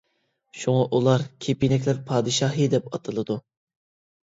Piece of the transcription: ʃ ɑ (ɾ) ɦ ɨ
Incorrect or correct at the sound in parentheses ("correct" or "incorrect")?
incorrect